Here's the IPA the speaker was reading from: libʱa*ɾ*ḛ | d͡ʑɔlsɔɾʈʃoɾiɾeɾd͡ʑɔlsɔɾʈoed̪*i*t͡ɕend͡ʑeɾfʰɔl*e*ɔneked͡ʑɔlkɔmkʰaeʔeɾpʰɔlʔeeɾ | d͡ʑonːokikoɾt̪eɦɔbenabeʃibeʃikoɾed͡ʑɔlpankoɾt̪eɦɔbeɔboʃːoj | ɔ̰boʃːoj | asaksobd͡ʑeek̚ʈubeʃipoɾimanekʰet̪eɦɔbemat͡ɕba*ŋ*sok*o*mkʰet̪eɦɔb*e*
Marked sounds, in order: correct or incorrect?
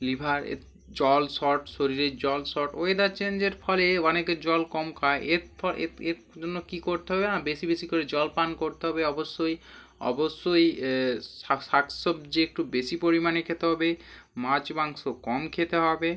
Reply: correct, incorrect, correct, correct, incorrect, correct

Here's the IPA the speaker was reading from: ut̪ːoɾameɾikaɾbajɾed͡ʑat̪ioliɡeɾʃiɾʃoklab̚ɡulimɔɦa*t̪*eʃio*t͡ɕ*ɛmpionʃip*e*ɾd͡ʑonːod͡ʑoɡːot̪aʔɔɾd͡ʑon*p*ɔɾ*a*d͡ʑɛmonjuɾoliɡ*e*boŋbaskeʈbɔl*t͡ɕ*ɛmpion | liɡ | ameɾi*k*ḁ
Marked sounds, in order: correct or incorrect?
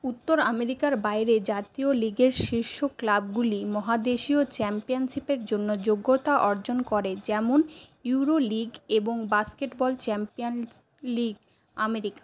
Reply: incorrect, correct, correct, incorrect, incorrect, correct, correct, correct

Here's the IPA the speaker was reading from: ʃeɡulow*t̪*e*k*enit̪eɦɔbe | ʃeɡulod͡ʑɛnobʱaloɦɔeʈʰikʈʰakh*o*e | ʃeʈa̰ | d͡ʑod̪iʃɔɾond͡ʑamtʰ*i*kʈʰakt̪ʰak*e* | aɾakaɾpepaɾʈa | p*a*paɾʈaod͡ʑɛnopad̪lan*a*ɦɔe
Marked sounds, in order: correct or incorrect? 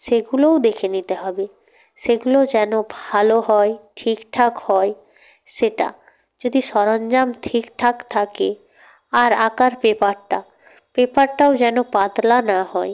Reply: incorrect, incorrect, incorrect, correct, correct, incorrect, correct

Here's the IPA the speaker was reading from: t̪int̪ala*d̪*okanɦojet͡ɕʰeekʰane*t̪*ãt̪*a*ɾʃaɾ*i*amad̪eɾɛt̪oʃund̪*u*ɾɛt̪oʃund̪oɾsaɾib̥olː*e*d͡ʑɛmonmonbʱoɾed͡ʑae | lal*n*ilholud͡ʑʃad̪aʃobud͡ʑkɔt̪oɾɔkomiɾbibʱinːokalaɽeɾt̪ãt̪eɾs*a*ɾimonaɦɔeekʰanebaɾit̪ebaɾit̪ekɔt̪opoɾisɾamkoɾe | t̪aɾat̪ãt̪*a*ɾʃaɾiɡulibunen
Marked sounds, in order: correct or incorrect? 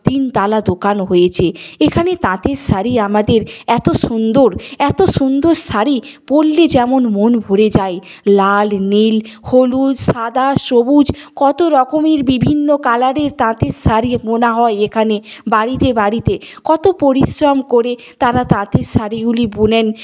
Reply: correct, correct, incorrect, correct, incorrect, correct, correct, correct, incorrect

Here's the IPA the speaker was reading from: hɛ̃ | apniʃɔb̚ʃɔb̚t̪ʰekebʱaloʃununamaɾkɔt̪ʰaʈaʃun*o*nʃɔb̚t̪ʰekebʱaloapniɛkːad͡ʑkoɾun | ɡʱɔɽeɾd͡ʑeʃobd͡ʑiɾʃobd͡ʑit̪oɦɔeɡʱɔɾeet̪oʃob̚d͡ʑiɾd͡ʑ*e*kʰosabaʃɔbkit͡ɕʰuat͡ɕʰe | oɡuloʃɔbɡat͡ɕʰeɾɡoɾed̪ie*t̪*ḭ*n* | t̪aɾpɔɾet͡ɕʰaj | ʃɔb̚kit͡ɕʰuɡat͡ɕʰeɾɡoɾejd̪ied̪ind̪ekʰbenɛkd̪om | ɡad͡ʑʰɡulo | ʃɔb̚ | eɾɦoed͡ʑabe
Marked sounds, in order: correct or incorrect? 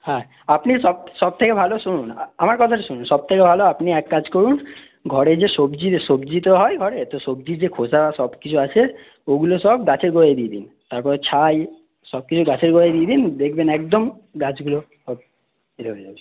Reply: incorrect, correct, incorrect, correct

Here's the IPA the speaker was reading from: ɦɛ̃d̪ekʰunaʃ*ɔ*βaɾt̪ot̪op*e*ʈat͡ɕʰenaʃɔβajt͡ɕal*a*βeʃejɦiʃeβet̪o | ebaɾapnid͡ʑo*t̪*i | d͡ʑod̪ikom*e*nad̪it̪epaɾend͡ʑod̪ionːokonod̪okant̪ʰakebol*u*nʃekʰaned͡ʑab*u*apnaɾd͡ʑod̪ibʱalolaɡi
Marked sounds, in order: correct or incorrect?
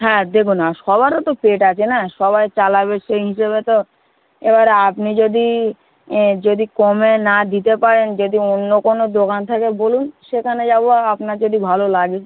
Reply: correct, correct, correct, incorrect, correct, correct, incorrect

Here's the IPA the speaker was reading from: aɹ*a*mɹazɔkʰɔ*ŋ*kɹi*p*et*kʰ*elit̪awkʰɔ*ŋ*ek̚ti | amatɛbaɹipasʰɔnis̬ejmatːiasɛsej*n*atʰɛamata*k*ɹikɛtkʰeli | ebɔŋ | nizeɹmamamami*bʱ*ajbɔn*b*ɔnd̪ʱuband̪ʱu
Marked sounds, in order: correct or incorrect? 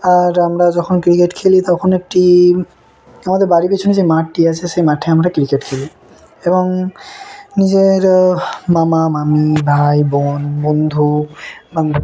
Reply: correct, incorrect, incorrect, correct, incorrect, incorrect, correct, correct, correct

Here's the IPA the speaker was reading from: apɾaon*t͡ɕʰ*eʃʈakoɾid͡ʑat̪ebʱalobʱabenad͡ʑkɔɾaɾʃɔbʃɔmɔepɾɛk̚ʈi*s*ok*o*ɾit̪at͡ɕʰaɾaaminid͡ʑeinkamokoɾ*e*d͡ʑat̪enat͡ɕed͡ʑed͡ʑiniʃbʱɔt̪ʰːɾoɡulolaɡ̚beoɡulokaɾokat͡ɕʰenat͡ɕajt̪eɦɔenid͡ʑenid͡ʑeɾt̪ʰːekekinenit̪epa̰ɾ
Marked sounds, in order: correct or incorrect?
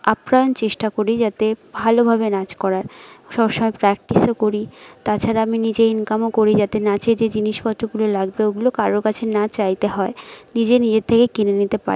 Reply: incorrect, correct, correct, incorrect

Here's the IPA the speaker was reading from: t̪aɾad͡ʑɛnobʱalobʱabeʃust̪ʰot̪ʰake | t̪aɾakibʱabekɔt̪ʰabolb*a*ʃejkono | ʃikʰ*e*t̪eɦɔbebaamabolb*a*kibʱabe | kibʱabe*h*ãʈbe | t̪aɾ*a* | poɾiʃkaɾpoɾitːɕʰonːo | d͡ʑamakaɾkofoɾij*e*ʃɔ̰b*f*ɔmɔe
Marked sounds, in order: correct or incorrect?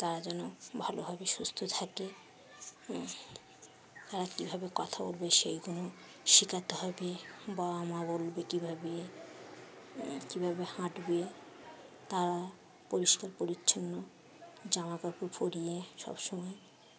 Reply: incorrect, incorrect, incorrect, correct, correct, correct, incorrect

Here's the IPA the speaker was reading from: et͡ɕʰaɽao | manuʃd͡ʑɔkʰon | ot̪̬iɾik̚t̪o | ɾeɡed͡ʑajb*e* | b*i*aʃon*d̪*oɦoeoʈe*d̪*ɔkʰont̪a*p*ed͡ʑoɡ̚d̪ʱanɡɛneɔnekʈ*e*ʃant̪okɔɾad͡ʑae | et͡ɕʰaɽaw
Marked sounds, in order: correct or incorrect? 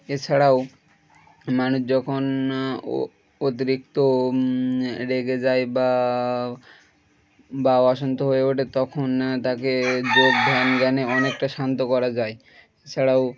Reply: incorrect, incorrect, incorrect, incorrect, incorrect, incorrect

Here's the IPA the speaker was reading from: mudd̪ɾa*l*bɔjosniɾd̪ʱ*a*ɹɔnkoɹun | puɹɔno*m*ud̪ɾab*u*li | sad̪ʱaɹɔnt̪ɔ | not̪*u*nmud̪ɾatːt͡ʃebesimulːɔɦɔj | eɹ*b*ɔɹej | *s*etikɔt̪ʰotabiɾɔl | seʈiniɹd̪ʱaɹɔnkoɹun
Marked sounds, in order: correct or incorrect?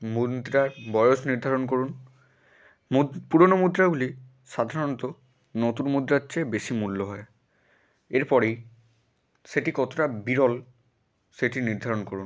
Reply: incorrect, correct, correct, correct, correct, incorrect, correct

